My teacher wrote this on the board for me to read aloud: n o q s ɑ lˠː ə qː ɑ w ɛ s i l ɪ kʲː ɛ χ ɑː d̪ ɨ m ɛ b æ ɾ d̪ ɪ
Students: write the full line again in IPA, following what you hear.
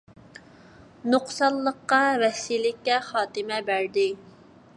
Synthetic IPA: n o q s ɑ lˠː ə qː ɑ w ɛ s i l ɪ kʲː ɛ χ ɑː t̪ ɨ m ɛ b æ ɾ d̪ ɪ